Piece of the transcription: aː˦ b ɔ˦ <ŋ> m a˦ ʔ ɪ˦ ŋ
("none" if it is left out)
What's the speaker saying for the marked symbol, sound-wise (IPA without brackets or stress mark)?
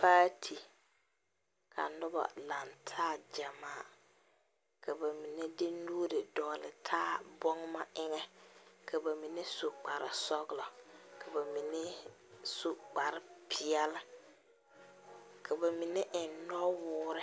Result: ŋ